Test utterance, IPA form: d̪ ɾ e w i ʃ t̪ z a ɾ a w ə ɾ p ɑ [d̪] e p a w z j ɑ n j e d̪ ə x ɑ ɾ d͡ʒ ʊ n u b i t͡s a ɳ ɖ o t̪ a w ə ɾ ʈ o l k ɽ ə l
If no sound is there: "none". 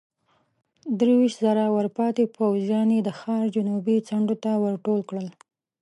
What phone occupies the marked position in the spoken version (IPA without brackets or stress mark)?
t̪